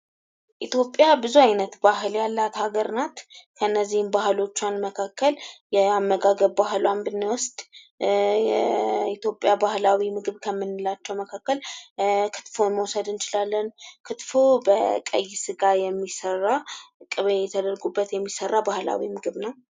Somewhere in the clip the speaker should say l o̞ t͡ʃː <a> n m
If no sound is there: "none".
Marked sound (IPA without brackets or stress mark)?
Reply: a